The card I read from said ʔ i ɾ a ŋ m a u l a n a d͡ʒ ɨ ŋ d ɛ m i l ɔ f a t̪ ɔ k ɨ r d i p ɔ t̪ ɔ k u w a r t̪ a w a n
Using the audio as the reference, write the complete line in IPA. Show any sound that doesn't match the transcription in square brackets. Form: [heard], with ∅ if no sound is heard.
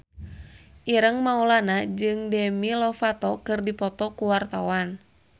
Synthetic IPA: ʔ i ɾ [ə] ŋ m a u l a n a d͡ʒ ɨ ŋ d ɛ m i l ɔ f a t̪ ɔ k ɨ r d i p ɔ t̪ ɔ k u w a r t̪ a w a n